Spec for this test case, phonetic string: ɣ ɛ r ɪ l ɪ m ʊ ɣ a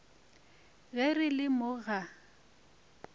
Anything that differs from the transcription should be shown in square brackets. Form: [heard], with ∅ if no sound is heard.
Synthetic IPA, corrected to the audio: ɣ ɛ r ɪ l ɪ m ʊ ɣ a

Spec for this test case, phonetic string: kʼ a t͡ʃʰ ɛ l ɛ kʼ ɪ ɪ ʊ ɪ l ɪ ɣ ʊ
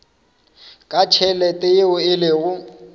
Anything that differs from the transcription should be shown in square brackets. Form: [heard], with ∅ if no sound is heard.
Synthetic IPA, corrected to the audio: kʼ a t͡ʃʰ ɛ l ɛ [tʼ] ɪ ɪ ʊ ɪ l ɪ ɣ ʊ

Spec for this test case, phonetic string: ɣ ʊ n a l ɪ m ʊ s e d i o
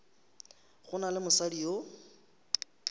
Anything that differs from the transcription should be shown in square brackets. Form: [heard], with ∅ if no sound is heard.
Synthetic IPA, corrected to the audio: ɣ ʊ n a l ɪ m ʊ s [a] d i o

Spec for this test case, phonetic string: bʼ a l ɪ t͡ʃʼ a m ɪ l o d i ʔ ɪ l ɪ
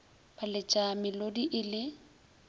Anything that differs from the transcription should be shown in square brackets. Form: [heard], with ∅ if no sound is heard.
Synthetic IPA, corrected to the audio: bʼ a l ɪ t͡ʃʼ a m ɪ l o d i ʔ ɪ l ɪ

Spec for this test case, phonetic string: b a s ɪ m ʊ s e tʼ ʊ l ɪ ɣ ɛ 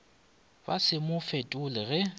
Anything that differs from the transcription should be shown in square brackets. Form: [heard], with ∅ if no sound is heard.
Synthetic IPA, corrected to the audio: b a s ɪ m ʊ [f] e tʼ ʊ l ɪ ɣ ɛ

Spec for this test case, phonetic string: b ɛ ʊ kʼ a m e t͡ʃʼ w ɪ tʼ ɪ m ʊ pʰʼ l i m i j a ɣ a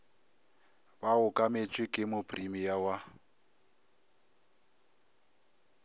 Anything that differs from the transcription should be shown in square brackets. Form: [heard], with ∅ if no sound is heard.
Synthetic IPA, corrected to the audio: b [a] ʊ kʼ a m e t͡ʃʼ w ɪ [kʼ] ɪ m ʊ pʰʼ [r] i m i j a [w] a

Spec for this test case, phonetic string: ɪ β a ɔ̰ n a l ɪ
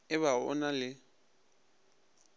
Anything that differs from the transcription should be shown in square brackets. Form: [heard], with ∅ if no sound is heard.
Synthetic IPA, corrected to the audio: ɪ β a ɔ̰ n a l ɪ

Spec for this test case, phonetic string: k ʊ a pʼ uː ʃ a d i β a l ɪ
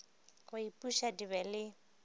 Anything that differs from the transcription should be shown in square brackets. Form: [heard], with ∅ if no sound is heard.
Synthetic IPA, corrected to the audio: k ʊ [i] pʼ [u] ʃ a d i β [ɛ] l ɪ

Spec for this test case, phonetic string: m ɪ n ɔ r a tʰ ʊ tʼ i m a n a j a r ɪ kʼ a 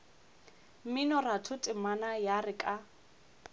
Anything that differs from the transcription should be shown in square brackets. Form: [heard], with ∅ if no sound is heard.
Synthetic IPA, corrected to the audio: m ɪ n ɔ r a tʰ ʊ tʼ [ɪ] m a n a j a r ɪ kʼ a

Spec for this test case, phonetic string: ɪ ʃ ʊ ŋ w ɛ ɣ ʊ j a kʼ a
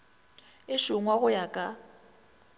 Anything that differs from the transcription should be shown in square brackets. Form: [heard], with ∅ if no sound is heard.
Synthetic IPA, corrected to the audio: ɪ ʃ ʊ ŋ w [a] ɣ ʊ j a kʼ a

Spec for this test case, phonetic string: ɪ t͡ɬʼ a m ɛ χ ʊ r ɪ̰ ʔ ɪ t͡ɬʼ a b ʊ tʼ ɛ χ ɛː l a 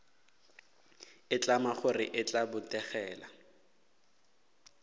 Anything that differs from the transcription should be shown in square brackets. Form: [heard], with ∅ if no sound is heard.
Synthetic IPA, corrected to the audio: ɪ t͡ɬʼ a m [a] χ ʊ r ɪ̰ ʔ ɪ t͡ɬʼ a b ʊ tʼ ɛ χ ɛː l a

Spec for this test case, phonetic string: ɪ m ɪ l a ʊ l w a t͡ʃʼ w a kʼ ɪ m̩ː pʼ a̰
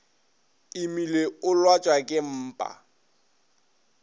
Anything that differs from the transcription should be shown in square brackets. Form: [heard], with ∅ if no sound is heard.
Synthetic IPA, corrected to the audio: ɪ m [i] l [e] ʊ l w a t͡ʃʼ w a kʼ ɪ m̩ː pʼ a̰

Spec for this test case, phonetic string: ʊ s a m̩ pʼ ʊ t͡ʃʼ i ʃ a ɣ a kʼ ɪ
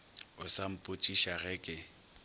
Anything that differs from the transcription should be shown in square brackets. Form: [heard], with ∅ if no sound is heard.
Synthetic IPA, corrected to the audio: ʊ s a m̩ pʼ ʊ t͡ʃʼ i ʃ a ɣ [ɛ] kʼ ɪ

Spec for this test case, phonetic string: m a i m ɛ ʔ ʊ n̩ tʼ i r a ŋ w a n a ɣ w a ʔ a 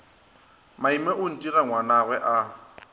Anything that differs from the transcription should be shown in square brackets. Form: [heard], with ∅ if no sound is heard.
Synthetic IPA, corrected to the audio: m a i m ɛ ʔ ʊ n̩ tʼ i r a ŋ w a n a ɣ w [ɛ] ʔ a

